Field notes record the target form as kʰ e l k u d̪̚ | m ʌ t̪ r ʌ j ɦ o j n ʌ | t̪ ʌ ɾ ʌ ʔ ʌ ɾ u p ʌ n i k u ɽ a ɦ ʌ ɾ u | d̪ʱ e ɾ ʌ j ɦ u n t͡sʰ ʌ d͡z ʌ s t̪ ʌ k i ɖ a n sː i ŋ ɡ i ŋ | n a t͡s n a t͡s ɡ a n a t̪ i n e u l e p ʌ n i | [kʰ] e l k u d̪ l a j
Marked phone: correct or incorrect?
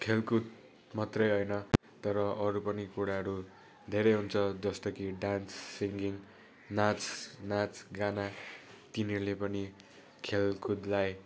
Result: correct